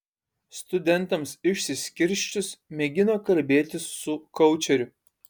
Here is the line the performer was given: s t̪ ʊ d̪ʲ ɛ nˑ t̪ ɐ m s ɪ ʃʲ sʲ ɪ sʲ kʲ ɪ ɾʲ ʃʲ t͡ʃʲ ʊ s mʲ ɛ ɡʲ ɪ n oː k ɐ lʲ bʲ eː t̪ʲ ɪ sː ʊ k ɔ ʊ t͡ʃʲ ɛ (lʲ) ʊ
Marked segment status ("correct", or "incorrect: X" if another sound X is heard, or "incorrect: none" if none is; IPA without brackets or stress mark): incorrect: ɾʲ